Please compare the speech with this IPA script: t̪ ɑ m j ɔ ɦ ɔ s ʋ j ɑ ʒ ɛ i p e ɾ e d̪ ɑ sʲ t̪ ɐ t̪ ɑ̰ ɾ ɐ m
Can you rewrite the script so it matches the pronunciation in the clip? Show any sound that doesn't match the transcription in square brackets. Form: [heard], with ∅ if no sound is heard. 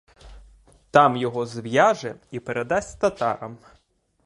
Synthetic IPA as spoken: t̪ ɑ m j ɔ ɦ ɔ [z] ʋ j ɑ ʒ ɛ i p e ɾ e d̪ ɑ sʲ t̪ ɐ t̪ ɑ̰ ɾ ɐ m